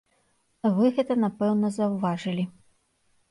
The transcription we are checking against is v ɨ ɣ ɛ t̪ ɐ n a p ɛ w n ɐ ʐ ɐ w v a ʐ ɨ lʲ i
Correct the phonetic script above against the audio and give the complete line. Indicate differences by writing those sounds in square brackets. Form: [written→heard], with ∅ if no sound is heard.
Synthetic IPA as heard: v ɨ ɣ ɛ t̪ ɐ n a p ɛ w n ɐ [ʐ→z] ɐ w v a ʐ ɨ lʲ i